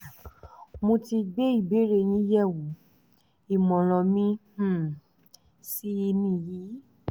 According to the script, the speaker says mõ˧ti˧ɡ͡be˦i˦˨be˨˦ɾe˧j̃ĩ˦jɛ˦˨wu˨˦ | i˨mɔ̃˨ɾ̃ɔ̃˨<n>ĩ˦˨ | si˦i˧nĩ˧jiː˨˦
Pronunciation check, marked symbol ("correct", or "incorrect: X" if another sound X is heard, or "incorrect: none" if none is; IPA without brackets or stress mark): incorrect: m